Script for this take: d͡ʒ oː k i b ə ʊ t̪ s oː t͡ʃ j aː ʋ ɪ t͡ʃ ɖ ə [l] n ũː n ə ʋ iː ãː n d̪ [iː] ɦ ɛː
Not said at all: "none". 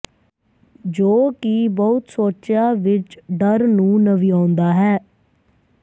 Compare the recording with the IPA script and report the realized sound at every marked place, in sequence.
ɾ, aː

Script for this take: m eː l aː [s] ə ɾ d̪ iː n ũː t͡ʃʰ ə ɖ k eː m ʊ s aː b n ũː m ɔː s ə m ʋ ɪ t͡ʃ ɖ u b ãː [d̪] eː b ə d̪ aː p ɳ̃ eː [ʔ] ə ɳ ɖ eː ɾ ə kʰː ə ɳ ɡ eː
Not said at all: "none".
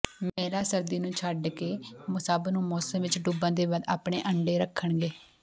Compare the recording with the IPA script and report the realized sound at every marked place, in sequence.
s, d̪, ʔ

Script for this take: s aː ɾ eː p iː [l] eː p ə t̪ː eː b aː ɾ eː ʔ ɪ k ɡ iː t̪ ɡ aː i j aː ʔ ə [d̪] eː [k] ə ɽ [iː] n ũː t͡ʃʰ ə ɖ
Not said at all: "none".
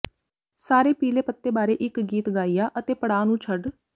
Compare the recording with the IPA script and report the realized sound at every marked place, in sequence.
l, t̪, p, aː

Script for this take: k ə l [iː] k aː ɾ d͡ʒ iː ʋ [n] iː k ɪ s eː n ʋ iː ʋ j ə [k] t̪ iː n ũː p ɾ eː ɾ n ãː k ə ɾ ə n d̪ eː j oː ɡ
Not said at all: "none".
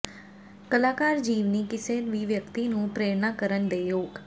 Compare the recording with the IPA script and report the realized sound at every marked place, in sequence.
aː, n, k

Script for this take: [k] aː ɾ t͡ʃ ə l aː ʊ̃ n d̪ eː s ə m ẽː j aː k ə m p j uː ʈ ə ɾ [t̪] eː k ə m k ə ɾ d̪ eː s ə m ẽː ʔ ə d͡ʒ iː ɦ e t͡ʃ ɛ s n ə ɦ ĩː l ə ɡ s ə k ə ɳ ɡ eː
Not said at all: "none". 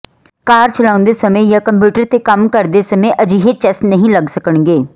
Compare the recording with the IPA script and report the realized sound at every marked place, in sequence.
k, t̪

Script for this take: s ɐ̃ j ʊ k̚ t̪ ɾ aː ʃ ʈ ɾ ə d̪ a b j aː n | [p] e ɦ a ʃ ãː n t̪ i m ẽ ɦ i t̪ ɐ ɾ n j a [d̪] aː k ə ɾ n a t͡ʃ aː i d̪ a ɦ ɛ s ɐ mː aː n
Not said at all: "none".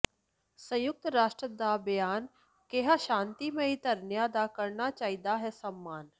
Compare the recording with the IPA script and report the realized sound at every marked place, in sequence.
k, d̪

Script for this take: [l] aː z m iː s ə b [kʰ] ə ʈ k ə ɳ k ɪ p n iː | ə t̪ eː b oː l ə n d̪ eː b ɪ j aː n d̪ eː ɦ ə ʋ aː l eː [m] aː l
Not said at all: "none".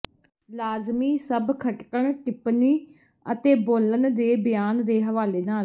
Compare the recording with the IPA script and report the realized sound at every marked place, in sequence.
l, kʰ, n

